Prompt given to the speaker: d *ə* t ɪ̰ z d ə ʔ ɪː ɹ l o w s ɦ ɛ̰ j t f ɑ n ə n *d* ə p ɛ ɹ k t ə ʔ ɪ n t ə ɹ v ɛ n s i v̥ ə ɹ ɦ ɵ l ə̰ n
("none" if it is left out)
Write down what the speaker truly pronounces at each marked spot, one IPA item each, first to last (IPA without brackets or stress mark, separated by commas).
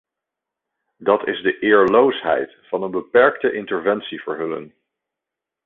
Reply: ɑ, b